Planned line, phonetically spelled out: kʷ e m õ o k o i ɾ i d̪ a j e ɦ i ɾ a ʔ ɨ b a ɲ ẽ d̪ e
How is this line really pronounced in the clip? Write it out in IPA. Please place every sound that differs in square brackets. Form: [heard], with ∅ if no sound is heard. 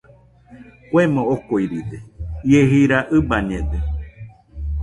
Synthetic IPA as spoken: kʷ e m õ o k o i ɾ i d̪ [e] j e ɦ i ɾ a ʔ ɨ b a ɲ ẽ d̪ e